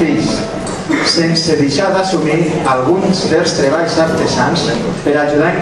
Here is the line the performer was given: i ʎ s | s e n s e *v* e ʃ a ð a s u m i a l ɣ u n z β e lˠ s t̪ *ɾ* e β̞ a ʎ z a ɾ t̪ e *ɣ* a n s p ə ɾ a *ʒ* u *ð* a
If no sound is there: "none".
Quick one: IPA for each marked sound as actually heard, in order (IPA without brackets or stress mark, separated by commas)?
ð, ɾ, z, ʒ, ð